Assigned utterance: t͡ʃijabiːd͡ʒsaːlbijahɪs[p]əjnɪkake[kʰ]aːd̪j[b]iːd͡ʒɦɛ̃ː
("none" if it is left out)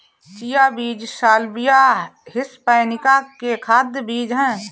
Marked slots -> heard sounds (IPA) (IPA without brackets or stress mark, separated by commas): p, kʰ, b